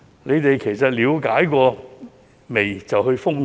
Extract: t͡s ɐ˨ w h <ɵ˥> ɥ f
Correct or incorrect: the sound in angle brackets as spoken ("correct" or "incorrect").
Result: incorrect